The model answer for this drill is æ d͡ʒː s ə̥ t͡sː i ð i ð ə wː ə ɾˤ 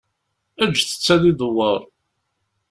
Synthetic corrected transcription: æ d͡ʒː θ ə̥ t͡sː æ ð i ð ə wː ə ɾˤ